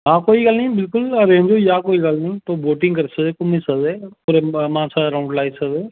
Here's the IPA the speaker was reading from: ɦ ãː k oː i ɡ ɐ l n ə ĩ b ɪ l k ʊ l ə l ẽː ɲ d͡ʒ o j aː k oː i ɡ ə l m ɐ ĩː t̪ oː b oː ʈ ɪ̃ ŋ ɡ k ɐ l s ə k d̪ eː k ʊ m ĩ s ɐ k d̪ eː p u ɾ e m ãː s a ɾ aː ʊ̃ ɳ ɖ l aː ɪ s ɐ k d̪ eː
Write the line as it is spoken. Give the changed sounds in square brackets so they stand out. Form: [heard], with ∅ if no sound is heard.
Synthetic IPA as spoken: ɦ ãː k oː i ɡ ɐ l n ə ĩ b ɪ l k ʊ l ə [ɾ] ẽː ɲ d͡ʒ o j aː k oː i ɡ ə l [n] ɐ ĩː t̪ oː b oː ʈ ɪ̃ ŋ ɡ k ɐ [ɾ] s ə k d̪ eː k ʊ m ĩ s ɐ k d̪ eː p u ɾ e m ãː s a ɾ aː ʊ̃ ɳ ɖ l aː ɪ s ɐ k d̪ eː